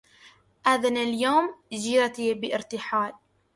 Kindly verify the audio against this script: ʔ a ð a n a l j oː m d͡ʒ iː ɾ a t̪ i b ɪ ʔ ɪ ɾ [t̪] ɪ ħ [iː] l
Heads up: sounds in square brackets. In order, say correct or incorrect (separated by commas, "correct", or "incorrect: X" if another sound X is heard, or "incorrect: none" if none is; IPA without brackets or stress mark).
correct, incorrect: aː